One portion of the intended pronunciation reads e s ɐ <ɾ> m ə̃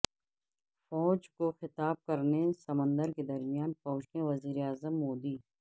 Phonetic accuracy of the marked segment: incorrect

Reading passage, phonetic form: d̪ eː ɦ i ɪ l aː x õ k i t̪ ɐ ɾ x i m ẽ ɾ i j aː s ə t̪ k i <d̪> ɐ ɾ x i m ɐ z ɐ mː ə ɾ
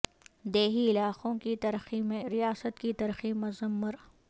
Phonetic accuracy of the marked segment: incorrect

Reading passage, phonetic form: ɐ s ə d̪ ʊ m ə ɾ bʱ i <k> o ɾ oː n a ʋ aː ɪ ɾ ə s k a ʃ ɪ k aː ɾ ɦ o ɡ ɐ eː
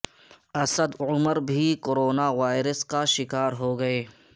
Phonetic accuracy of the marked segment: correct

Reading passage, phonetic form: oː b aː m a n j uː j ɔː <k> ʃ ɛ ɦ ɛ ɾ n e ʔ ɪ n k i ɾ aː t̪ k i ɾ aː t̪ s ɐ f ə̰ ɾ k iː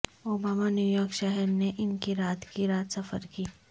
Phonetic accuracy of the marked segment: correct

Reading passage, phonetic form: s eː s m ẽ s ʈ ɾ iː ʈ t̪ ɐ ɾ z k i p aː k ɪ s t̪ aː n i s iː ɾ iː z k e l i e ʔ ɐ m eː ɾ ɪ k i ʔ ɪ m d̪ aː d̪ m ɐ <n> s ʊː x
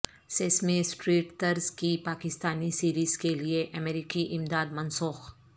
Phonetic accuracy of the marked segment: correct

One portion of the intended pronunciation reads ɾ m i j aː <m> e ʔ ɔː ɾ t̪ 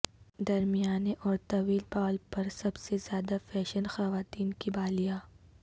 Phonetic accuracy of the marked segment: incorrect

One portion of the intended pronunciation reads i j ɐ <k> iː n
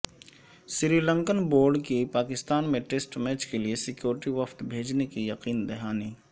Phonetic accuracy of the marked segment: incorrect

